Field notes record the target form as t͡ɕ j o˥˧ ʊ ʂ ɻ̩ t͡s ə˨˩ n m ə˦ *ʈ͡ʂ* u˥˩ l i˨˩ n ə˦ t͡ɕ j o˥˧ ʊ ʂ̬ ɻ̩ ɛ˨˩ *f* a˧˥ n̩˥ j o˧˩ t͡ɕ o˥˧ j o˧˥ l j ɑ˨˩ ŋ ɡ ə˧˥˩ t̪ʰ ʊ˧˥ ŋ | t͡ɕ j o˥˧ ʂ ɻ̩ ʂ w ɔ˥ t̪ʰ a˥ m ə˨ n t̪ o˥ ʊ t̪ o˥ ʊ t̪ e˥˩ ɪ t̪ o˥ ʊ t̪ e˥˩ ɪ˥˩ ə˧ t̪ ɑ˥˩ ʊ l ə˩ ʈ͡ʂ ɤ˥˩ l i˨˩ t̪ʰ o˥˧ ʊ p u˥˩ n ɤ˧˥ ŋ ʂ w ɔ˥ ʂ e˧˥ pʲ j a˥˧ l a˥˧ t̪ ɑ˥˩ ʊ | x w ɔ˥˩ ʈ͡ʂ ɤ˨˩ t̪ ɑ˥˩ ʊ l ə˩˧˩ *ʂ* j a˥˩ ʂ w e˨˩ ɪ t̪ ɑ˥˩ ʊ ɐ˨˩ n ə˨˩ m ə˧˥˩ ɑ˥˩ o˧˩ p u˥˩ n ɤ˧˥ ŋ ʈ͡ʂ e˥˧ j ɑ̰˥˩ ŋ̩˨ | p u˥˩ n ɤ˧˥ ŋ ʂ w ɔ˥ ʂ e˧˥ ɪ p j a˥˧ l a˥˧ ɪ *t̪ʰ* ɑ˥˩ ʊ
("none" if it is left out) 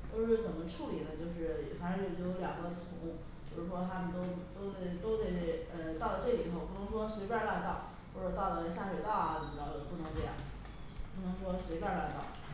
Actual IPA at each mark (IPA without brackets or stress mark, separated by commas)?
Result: ʈ͡ʂʰ, f, ɕ, t̪